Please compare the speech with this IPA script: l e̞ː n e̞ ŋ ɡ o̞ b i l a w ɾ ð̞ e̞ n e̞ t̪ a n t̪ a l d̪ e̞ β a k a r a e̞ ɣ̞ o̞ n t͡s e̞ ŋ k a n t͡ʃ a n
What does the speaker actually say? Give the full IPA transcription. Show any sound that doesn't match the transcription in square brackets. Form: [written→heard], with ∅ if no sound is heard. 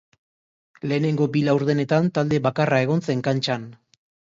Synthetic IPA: l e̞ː n e̞ ŋ ɡ o̞ b i l a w ɾ ð̞ e̞ n e̞ t̪ a n t̪ a l d̪ e̞ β a k a r a e̞ ɣ̞ o̞ n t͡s e̞ ŋ k a n t͡ʃ a n

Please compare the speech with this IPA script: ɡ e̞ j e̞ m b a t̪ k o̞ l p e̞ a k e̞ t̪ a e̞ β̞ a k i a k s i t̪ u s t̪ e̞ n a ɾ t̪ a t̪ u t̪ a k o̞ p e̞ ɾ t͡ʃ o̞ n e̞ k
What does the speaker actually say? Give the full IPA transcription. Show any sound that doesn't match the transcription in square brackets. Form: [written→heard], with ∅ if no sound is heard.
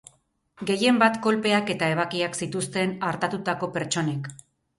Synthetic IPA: ɡ e̞ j e̞ m b a t̪ k o̞ l p e̞ a k e̞ t̪ a e̞ β̞ a k i a k s i t̪ u s t̪ e̞ n a ɾ t̪ a t̪ u t̪ a k o̞ p e̞ ɾ t͡ʃ o̞ n e̞ k

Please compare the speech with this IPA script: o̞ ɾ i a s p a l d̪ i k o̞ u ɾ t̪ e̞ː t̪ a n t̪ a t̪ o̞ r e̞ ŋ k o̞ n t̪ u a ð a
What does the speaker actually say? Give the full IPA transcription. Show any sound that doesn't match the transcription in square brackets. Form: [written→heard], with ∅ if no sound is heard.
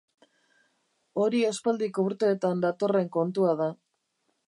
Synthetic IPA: o̞ ɾ i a s p a l d̪ i k o̞ u ɾ t̪ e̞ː t̪ a n [t̪→d̪] a t̪ o̞ r e̞ ŋ k o̞ n t̪ u a ð a

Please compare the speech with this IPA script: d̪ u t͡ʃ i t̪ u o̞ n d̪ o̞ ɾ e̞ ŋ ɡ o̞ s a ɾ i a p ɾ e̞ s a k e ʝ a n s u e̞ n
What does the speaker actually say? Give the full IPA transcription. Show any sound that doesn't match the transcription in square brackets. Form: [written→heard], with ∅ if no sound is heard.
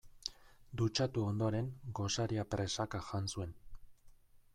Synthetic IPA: d̪ u t͡ʃ [i→a] t̪ u o̞ n d̪ o̞ ɾ e̞ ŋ ɡ o̞ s a ɾ i a p ɾ e̞ s a k [e→a] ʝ a n s u e̞ n

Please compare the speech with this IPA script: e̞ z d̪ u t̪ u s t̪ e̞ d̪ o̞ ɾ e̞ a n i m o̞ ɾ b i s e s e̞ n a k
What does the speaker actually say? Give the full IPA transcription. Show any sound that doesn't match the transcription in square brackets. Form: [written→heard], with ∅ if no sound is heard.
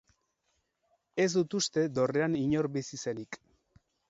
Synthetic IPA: e̞ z d̪ u t̪ u s t̪ e̞ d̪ o̞ [ɾ→r] e̞ a n i [m→ɲ] o̞ ɾ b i s [e→i] s e̞ n [a→i] k

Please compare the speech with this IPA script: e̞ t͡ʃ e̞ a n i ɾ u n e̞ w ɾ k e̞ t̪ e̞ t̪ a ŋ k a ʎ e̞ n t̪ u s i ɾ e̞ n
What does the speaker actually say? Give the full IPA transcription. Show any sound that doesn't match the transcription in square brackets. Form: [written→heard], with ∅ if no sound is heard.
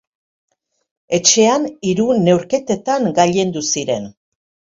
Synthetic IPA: e̞ t͡ʃ e̞ a n i ɾ u n e̞ w ɾ k e̞ t̪ e̞ t̪ a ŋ [k→ɡ] a ʎ e̞ n [t̪→d̪] u s i ɾ e̞ n

